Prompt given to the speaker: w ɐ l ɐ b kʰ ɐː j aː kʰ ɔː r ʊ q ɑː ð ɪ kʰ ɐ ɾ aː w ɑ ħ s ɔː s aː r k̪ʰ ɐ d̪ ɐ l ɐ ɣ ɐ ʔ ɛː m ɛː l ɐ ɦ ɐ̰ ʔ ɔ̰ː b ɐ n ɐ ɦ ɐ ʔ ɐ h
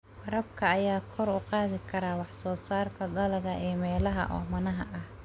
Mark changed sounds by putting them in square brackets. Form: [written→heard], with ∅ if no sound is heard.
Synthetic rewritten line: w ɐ [l→ɾ] ɐ b kʰ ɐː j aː kʰ [ɔː→ɔ] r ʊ q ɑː ð ɪ kʰ ɐ ɾ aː w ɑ ħ s ɔː s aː r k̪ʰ ɐ d̪ ɐ l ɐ ɣ ɐ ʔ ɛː m ɛː l ɐ ɦ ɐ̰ ʔ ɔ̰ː [b→m] ɐ n ɐ ɦ ɐ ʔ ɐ h